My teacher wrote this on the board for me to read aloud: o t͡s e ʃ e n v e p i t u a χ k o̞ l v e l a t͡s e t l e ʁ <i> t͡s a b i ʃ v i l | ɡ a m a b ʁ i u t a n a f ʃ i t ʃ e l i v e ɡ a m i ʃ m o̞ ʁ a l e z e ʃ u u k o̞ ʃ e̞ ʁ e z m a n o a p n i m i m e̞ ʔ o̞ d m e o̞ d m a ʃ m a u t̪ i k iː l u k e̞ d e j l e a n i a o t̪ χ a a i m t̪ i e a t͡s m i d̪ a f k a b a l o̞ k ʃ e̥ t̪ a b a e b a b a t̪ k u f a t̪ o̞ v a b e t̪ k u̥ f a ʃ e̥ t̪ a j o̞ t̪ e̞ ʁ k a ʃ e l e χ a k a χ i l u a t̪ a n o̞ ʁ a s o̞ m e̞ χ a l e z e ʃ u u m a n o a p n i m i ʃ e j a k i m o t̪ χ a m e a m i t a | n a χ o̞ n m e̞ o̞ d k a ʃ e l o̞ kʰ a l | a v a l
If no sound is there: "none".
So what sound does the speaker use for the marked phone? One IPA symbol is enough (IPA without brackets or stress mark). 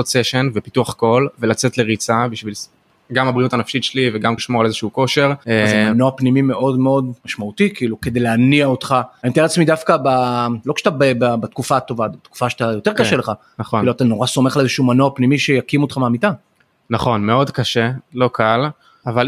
i